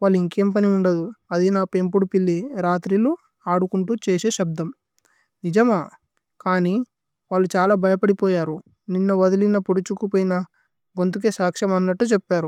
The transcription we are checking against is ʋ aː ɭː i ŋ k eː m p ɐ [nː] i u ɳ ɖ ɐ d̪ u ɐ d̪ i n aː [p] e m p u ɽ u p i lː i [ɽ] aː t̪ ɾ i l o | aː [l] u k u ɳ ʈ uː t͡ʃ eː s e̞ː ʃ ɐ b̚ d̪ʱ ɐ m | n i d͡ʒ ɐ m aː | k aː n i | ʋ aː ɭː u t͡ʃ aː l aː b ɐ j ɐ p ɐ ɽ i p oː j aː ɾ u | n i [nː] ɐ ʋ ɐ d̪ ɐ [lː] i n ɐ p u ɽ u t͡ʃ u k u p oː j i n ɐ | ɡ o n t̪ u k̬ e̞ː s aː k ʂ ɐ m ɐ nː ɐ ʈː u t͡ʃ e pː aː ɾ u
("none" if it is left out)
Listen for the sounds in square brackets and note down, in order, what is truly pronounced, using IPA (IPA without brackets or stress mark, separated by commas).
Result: n, p, ɾ, ɽ, nː, l